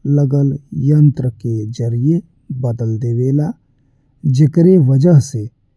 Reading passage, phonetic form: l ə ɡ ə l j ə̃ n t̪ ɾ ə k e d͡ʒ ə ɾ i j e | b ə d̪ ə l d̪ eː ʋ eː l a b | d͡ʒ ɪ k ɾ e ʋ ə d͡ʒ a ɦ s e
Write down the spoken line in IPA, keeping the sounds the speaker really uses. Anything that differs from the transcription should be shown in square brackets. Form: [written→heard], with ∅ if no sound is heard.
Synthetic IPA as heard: l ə ɡ ə l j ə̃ n t̪ ɾ ə k e d͡ʒ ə ɾ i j e | b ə d̪ ə l d̪ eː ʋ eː l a [b→∅] | d͡ʒ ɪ k ɾ e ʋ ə d͡ʒ [a→ə] ɦ s e